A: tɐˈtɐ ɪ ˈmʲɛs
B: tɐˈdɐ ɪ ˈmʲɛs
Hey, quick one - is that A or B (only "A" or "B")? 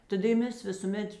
B